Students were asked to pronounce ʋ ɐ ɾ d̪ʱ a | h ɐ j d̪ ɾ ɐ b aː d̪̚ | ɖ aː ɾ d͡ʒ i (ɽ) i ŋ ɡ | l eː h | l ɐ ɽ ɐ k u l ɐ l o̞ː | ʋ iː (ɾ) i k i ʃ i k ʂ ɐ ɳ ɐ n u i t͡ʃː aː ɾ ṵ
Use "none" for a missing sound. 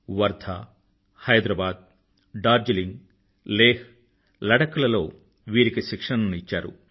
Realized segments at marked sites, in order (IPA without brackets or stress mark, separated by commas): l, ɾ